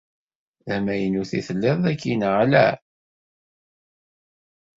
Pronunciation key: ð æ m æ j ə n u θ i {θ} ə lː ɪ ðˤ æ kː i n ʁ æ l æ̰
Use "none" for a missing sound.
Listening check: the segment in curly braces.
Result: θ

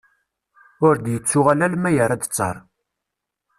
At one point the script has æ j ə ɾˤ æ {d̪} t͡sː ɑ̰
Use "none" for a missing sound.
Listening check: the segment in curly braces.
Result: d̪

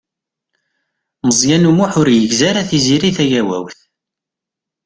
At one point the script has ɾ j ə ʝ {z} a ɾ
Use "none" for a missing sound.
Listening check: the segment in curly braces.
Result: z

